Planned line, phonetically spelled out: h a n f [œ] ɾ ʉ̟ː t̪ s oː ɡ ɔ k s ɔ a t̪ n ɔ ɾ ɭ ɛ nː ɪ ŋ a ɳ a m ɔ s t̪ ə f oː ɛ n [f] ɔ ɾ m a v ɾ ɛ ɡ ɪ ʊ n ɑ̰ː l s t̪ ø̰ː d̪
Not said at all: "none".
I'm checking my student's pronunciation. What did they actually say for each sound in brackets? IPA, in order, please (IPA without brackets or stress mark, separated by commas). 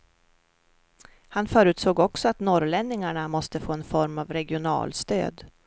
œː, f